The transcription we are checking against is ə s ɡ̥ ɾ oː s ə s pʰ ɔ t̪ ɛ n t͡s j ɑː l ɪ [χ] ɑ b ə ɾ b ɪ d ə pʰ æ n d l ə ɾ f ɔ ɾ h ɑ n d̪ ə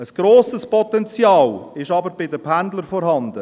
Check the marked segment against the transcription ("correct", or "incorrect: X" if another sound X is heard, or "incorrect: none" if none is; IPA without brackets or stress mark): incorrect: ʃ